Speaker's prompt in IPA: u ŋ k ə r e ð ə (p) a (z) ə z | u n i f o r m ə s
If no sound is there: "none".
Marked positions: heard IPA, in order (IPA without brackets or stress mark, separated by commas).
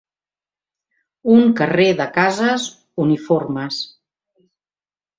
k, z